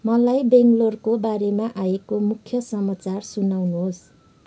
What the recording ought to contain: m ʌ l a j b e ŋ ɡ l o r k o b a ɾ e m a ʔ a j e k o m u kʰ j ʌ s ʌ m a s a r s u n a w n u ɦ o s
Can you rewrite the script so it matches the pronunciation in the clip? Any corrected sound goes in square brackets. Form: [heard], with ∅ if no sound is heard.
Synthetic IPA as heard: m ʌ l a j b e ŋ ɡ l o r k o b a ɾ e m a ʔ a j e k o m u kʰ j ʌ s ʌ m a [t͡s] a r s u n a w n u ɦ o s